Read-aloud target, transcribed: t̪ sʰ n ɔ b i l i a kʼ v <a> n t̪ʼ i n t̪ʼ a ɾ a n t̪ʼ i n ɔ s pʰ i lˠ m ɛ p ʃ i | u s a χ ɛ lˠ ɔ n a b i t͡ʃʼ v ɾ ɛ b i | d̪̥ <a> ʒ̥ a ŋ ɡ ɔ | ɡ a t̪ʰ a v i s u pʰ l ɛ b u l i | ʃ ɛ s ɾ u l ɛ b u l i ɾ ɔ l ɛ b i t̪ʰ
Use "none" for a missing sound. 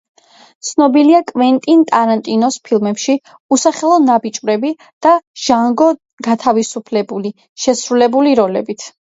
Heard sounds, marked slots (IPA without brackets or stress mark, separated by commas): ɛ, a